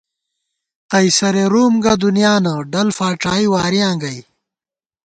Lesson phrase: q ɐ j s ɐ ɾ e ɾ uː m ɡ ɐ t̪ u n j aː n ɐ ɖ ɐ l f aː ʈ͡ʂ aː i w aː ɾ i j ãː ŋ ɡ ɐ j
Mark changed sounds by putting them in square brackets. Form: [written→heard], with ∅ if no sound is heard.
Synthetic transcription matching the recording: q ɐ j s ɐ ɾ e ɾ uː m ɡ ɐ [t̪→d̪] u n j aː n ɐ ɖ ɐ l f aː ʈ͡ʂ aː i w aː ɾ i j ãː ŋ ɡ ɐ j